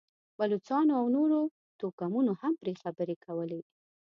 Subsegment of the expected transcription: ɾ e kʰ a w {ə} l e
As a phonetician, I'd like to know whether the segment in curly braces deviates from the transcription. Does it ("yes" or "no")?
no